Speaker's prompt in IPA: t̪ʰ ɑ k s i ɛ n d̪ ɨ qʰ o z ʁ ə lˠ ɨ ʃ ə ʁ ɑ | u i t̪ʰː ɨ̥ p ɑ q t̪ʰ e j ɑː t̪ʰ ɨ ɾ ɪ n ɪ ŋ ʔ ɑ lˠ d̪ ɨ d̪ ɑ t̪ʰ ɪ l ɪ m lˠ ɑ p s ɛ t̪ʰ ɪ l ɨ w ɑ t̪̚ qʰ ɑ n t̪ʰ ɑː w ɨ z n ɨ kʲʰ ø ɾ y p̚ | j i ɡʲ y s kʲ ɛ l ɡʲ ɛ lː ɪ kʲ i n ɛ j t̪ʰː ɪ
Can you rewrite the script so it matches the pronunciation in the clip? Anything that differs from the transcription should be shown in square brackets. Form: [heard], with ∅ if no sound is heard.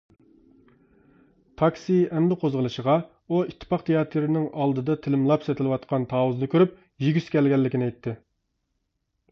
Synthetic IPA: t̪ʰ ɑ k s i ɛ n d̪ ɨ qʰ o z ʁ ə lˠ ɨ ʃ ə ʁ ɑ | u i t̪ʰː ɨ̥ p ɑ q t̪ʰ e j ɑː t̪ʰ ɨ ɾ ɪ n ɪ ŋ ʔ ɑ lˠ d̪ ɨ d̪ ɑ t̪ʰ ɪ l ɪ m lˠ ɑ p s ɛ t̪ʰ ɪ l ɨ w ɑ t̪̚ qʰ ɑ n t̪ʰ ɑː w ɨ z n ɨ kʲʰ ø ɾ y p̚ | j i ɡʲ y s kʲ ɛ l ɡʲ ɛ lː ɪ kʲ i n ɛ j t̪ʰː ɪ